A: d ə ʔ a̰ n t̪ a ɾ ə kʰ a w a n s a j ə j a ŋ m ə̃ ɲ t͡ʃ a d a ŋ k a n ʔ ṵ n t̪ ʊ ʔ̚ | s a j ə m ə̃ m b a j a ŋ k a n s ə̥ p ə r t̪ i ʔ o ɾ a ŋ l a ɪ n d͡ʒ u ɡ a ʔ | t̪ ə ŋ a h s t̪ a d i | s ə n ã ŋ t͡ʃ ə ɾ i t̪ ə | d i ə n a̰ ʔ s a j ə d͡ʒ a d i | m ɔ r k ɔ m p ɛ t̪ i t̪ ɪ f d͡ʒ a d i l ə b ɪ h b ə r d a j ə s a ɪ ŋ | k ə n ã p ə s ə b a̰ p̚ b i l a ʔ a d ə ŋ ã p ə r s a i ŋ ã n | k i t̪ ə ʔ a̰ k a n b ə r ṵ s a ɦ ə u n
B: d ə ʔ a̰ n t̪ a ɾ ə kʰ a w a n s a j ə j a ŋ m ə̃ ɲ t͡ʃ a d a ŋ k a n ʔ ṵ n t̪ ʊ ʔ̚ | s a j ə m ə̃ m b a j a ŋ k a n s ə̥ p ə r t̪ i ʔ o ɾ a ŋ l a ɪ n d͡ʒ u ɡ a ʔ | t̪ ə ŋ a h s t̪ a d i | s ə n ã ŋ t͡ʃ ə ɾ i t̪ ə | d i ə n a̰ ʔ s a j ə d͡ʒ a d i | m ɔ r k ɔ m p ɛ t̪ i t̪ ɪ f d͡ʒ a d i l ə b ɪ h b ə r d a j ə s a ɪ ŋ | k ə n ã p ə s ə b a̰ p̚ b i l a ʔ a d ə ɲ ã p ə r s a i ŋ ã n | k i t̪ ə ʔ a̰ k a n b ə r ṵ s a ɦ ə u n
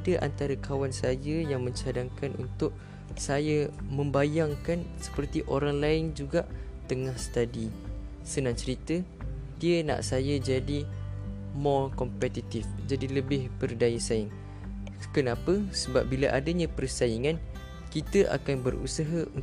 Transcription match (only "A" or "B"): B